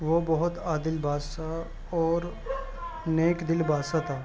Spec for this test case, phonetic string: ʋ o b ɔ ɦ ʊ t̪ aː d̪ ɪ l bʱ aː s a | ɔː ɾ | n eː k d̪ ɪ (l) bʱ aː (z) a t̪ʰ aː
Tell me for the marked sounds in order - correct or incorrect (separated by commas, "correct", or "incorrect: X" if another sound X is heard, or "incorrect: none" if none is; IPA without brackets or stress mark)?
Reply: correct, incorrect: s